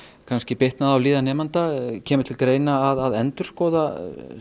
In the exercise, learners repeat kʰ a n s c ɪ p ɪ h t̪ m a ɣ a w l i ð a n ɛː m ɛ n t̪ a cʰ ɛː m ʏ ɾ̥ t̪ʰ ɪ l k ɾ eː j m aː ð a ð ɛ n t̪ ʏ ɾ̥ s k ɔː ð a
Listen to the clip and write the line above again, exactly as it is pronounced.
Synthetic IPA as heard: kʰ a n s c ɪ p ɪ h t̪ n a ð a w l iː ð a n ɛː m a n t̪ a cʰ ɛː m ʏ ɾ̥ t̪ʰ ɪ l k ɾ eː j n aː ð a ð ɛ n t̪ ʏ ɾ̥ s k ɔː ð a